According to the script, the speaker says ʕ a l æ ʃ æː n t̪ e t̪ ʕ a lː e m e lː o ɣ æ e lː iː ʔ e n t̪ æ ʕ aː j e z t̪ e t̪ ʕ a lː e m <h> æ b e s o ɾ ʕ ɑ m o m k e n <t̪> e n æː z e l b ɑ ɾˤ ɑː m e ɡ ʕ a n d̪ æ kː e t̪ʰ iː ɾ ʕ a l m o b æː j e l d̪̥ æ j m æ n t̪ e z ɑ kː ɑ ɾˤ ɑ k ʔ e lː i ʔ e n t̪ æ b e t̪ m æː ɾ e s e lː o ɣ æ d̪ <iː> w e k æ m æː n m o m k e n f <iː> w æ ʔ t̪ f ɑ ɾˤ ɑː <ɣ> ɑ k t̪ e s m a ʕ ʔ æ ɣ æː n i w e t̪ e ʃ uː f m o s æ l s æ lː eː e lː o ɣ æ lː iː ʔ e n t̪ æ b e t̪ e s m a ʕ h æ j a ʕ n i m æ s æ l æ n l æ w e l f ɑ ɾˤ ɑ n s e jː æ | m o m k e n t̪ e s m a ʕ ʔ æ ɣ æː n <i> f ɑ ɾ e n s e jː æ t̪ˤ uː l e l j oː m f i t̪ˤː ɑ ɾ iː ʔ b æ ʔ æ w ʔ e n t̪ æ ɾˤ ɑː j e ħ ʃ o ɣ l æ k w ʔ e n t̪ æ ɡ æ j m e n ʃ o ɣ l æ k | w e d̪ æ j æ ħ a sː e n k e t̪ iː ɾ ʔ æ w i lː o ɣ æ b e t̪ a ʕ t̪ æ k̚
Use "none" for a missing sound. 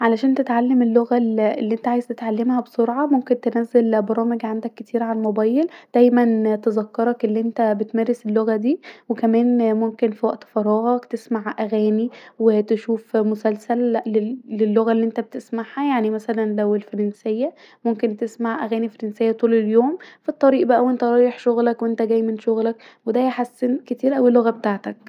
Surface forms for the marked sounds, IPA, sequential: h, t̪, iː, i, ɣ, i

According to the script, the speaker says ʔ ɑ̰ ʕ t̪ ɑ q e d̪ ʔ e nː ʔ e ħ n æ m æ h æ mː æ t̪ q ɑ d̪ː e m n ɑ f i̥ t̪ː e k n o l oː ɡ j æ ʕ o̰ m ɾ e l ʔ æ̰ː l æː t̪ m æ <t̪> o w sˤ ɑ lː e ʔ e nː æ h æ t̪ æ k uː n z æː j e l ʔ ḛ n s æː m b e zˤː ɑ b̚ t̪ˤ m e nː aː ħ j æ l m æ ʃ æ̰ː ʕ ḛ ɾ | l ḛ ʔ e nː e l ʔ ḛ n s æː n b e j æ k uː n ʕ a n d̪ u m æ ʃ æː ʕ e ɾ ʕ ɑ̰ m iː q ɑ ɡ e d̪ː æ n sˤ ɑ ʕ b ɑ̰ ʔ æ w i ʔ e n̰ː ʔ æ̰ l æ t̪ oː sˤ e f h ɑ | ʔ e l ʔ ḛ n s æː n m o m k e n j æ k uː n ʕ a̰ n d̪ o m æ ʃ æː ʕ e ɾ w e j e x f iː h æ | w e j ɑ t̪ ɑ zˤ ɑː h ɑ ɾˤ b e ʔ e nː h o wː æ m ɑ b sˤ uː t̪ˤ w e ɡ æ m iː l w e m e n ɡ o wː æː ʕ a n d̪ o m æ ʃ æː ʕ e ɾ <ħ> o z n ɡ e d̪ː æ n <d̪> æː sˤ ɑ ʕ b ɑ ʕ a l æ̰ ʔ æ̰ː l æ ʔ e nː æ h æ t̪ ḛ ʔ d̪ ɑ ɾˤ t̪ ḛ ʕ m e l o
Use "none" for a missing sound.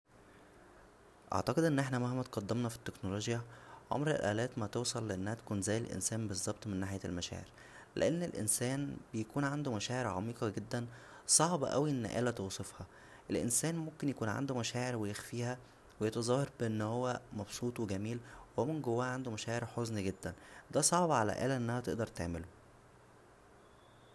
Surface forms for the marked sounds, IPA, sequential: t̪, ħ, d̪

